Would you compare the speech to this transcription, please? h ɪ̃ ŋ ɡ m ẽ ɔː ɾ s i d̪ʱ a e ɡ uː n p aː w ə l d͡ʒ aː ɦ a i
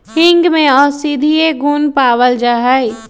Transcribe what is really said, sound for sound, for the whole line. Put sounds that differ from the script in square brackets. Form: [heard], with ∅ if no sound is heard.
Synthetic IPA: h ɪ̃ ŋ ɡ m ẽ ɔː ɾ s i d̪ʱ [i] e ɡ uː n p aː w ə l d͡ʒ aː ɦ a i

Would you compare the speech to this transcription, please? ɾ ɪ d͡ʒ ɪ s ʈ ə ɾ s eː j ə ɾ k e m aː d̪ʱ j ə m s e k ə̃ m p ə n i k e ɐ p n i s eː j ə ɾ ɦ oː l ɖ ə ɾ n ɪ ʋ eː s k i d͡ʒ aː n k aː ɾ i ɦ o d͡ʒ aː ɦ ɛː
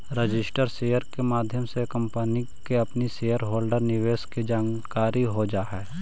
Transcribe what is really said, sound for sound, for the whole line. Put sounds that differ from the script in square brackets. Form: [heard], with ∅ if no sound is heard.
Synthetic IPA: ɾ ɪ d͡ʒ ɪ s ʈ ə ɾ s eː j ə ɾ k e m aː d̪ʱ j ə m s e k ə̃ m p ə n i k e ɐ p n i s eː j ə ɾ ɦ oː l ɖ ə ɾ n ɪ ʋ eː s k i d͡ʒ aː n k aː ɾ i ɦ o d͡ʒ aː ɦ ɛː

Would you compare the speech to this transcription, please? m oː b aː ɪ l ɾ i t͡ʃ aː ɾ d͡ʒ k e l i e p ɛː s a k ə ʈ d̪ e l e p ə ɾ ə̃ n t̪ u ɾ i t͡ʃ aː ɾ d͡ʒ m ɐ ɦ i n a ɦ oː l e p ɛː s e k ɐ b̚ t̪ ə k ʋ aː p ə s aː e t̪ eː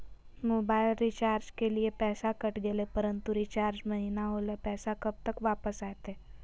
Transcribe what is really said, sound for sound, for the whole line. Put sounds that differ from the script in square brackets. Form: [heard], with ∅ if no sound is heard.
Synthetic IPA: m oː b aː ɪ l ɾ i t͡ʃ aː ɾ d͡ʒ k e l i e p ɛː s a k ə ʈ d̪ e l e p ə ɾ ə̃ n t̪ u ɾ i t͡ʃ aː ɾ d͡ʒ m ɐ ɦ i n a ɦ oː l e p ɛː s [a] k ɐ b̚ t̪ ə k ʋ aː p ə s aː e t̪ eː

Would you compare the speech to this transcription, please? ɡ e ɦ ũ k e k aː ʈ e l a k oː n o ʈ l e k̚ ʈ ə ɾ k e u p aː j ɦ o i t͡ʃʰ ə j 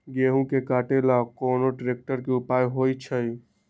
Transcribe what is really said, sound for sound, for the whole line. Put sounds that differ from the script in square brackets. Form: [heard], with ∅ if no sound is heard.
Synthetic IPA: ɡ e ɦ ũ k e k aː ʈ e l a k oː n o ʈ [ɾ] e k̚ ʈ ə ɾ k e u p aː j ɦ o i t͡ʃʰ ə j

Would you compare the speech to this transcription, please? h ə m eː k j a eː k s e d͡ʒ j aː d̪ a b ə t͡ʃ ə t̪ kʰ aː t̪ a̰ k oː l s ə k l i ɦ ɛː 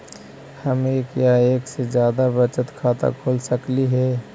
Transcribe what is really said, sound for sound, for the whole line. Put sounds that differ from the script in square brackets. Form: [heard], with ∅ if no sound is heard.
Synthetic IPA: h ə m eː k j a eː k s e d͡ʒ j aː d̪ a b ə t͡ʃ ə t̪ kʰ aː t̪ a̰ [kʰ] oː l s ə k l i ɦ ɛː

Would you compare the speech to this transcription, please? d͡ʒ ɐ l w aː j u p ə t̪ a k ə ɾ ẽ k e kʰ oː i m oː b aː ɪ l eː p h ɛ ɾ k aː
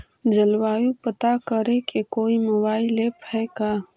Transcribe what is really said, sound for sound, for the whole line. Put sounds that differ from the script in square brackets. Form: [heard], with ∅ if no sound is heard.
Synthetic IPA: d͡ʒ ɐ l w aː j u p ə t̪ a k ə ɾ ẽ k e [k] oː i m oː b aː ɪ l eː p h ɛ [∅] k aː

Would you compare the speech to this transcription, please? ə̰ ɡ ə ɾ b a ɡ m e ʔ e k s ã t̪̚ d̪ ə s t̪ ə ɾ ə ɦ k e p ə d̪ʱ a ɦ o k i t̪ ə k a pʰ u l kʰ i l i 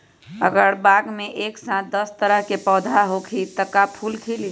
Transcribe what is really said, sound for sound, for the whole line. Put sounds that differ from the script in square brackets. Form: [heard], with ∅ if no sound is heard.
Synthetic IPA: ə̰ ɡ ə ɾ b a ɡ m e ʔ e k s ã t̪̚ d̪ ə s t̪ ə ɾ ə ɦ k e p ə d̪ʱ a ɦ o [kʰ] i t̪ ə k a pʰ u l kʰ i l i

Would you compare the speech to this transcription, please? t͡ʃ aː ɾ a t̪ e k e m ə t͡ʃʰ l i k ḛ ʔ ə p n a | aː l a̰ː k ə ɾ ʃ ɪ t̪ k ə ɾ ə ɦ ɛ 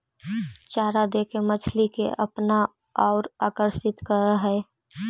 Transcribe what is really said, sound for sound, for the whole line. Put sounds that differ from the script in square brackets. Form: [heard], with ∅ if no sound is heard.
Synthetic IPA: t͡ʃ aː ɾ a [d̪] e k e m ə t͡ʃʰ l i k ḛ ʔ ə p n a | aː [ɾ] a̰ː k ə ɾ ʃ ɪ t̪ k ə ɾ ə ɦ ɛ

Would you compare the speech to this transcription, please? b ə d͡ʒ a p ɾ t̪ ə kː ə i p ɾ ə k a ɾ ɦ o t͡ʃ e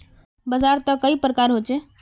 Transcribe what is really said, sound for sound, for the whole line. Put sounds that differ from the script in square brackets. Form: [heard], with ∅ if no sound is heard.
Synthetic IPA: b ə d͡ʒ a [∅] ɾ t̪ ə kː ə i p ɾ ə k a ɾ ɦ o t͡ʃ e

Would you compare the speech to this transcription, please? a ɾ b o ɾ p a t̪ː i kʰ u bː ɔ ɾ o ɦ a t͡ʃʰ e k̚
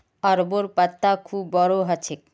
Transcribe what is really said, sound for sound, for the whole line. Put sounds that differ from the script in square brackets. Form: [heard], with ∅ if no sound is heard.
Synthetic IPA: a ɾ b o ɾ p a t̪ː [a] kʰ u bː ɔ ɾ o ɦ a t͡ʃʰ e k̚

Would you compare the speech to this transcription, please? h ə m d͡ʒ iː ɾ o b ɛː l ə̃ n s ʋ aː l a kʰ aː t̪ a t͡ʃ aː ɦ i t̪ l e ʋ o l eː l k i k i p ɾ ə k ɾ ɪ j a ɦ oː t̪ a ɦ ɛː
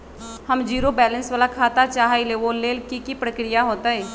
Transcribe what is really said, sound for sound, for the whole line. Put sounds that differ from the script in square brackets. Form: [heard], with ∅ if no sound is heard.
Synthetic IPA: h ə m d͡ʒ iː ɾ o b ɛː l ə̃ n s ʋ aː l a kʰ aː t̪ a t͡ʃ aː ɦ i [∅] l e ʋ o l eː l k i k i p ɾ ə k ɾ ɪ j a ɦ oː t̪ a ɦ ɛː

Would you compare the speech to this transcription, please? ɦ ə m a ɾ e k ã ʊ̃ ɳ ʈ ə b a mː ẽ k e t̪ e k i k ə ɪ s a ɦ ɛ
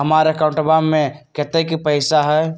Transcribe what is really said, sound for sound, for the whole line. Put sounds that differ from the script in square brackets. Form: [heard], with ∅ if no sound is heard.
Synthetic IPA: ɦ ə m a ɾ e k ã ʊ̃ ɳ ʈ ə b a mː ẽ k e t̪ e k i [p] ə ɪ s a ɦ ɛ

